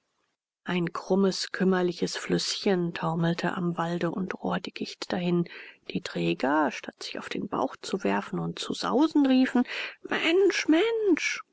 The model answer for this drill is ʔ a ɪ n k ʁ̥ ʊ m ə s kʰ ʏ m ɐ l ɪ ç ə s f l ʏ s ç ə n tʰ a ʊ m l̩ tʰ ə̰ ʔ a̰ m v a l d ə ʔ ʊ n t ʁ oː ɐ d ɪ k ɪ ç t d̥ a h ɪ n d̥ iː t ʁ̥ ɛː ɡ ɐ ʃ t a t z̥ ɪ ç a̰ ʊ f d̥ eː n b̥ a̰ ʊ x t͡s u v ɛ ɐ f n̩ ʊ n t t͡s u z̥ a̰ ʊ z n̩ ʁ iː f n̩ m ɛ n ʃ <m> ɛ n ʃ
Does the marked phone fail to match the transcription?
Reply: no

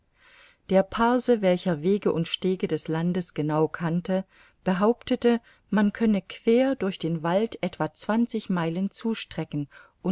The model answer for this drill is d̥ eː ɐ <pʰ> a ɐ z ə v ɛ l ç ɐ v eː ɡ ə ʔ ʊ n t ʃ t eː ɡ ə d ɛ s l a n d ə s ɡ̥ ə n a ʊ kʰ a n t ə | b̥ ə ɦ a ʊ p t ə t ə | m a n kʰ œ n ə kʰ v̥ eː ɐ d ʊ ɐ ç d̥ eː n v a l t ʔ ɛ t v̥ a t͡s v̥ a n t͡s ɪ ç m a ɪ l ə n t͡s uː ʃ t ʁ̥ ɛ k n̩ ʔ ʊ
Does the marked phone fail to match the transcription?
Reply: no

